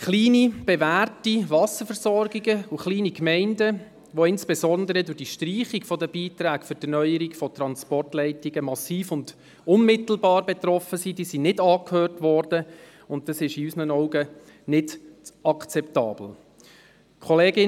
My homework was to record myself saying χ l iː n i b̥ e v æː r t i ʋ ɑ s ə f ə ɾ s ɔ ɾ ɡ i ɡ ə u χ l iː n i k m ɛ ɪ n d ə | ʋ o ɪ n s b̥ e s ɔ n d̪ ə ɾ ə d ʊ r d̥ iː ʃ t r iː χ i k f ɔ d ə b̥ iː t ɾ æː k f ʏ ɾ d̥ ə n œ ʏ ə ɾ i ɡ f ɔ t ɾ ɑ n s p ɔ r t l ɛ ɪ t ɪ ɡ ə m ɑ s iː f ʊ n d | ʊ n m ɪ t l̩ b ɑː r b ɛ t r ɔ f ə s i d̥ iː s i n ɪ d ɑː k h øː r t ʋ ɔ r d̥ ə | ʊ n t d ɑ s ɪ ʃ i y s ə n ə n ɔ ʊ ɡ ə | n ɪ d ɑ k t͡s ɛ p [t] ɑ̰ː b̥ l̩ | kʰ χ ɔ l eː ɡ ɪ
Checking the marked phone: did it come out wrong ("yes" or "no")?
no